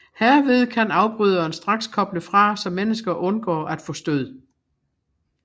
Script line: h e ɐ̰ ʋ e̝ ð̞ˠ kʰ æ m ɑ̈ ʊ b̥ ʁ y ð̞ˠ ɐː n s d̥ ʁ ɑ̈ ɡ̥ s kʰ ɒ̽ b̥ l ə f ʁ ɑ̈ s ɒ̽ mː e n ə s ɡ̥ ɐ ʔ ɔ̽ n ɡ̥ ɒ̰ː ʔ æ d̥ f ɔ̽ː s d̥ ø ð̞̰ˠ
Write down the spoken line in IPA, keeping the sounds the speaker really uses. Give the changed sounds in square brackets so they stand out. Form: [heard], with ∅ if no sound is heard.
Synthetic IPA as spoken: h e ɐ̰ ʋ e̝ ð̞ˠ kʰ æ [n] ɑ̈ ʊ b̥ ʁ y ð̞ˠ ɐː n s d̥ ʁ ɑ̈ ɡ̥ s kʰ ɒ̽ b̥ l ə f ʁ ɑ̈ s ɒ̽ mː e n ə s ɡ̥ ɐ ʔ ɔ̽ n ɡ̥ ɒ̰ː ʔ æ d̥ f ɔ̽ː s d̥ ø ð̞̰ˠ